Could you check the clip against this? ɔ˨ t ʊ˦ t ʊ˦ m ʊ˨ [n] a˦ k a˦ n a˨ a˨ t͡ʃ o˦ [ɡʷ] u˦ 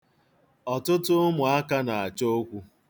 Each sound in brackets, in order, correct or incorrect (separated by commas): incorrect, incorrect